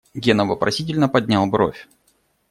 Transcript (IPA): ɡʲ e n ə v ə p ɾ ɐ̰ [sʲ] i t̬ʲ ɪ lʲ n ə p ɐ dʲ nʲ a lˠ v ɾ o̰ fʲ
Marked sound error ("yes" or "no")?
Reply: no